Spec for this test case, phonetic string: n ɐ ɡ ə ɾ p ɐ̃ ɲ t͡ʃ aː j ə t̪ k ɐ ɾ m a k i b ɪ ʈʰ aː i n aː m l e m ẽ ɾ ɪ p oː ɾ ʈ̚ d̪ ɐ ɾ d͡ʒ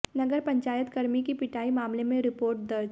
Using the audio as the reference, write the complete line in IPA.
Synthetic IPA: n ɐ ɡ ə ɾ p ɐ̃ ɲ t͡ʃ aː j ə t̪ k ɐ ɾ m i k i p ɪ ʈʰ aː i m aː m l e m ẽ ɾ ɪ p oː ɾ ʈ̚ d̪ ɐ ɾ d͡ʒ